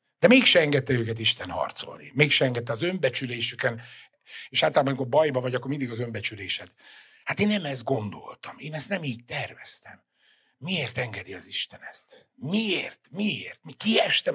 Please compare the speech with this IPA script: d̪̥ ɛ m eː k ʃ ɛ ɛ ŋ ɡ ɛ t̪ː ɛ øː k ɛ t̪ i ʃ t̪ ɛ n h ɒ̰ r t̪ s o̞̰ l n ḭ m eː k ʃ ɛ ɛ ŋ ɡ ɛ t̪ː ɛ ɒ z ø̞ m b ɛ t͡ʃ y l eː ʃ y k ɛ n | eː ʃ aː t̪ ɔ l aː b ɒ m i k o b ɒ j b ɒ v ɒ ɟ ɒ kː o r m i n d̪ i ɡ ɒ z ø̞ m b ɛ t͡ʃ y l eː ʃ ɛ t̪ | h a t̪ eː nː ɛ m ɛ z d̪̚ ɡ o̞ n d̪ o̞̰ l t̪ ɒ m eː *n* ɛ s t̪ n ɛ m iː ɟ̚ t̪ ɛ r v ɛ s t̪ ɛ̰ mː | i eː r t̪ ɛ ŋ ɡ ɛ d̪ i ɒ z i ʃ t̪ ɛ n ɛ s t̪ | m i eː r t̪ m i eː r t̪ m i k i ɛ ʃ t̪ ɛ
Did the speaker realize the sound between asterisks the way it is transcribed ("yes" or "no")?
yes